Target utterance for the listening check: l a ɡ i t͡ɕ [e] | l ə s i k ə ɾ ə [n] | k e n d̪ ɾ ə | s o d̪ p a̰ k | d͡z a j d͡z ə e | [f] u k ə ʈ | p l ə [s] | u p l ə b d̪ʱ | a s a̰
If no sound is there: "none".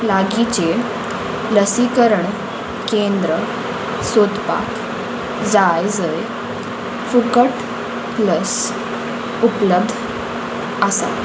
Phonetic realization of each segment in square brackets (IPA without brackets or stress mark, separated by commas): e, ɳ, f, s